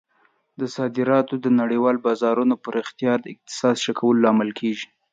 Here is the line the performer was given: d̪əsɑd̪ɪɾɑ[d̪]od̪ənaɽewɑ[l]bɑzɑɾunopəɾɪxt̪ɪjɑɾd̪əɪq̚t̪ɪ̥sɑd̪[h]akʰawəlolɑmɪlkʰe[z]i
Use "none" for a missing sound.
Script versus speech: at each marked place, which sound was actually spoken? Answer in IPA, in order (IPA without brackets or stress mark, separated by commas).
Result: t̪, l, ʃ, ʒ